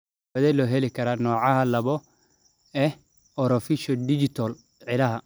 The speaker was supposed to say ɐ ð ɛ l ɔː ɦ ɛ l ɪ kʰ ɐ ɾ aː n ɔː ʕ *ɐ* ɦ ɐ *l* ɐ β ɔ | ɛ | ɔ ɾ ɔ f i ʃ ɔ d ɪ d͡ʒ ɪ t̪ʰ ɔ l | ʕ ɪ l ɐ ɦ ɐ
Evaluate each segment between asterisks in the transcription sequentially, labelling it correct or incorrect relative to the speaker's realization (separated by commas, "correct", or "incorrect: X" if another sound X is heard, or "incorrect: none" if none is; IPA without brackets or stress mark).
incorrect: ɑ, correct